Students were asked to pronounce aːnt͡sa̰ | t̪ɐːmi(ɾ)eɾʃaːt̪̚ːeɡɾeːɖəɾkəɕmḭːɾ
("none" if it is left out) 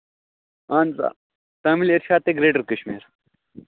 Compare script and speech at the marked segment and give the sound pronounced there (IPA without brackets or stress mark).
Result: l